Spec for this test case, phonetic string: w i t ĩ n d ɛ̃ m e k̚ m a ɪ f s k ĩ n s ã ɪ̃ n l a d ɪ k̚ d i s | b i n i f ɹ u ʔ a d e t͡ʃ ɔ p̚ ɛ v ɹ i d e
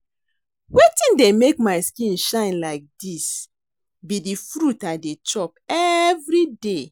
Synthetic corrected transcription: w e t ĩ n d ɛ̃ m e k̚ m a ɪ s k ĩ n ʃ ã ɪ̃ n l a ɪ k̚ d i s | b i d i f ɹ u t a d e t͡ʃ ɔ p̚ ɛ v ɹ i d e